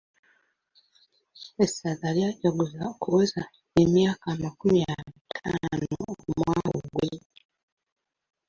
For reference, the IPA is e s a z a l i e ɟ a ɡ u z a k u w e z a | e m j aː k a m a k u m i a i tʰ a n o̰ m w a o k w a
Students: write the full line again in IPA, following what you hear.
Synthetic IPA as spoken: e s a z a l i a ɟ a ɡ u z a k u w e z a | e m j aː k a m a k u m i a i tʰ a n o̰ m w a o ɡ w e